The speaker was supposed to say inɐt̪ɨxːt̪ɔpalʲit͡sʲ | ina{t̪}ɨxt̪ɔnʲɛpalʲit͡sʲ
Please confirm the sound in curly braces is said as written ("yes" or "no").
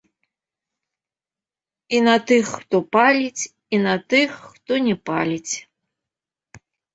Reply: yes